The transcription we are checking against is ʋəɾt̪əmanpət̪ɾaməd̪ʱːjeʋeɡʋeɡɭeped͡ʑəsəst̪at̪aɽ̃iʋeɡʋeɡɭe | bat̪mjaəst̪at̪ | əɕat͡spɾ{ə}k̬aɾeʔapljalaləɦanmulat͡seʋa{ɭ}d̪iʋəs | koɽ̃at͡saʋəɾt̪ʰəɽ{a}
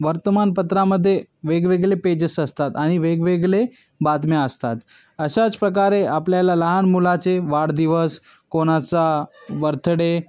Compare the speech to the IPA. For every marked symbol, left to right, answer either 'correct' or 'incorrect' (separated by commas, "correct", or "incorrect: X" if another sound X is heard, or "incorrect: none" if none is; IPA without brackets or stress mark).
correct, incorrect: ɽ, incorrect: e